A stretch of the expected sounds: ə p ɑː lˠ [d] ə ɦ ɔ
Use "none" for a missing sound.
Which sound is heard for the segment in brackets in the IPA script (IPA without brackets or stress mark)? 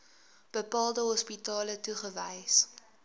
d